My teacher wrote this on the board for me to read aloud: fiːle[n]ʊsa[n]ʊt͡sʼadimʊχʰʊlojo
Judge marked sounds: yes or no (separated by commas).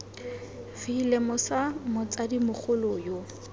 no, no